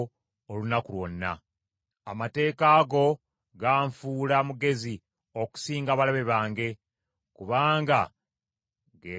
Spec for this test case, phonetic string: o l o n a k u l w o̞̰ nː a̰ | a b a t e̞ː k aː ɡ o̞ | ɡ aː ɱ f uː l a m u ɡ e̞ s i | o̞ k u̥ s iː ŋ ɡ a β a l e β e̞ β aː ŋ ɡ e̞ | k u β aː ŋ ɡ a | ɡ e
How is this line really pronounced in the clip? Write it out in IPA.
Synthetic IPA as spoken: o l u n a k u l w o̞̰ nː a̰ | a m a t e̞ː k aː ɡ o̞ | ɡ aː ɱ f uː l a m u ɡ e̞ z i | o̞ k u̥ s iː ŋ ɡ a β a l a β e̞ β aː ŋ ɡ e̞ | k u β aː ŋ ɡ a | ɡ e